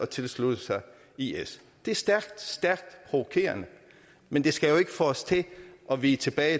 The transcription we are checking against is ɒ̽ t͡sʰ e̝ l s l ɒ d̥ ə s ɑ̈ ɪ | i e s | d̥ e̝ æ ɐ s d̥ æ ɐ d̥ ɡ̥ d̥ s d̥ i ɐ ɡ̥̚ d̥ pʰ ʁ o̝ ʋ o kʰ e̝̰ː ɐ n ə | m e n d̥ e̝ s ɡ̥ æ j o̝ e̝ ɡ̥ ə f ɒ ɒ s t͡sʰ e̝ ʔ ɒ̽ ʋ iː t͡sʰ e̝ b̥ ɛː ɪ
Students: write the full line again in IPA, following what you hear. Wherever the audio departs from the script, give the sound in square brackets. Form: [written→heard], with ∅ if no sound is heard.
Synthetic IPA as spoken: ɒ̽ t͡sʰ e̝ l s l [ɒ→u] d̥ ə s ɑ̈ ɪ | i e s | d̥ e̝ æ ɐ s d̥ æ ɐ [d̥→∅] ɡ̥ d̥ s d̥ [i→æ] ɐ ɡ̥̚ d̥ pʰ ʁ o̝ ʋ o kʰ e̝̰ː ɐ n ə | m e n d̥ e̝ s ɡ̥ æ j o̝ e̝ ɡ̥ ə f ɒ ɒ s t͡sʰ e̝ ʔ ɒ̽ ʋ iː t͡sʰ e̝ b̥ ɛː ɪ